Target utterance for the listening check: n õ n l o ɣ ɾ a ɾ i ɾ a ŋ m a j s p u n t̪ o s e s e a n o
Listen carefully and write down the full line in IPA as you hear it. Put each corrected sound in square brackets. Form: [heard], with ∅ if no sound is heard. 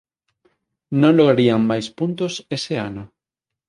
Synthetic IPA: n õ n l o ɣ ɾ a ɾ i [∅] a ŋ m a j s p u n t̪ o s e s e a n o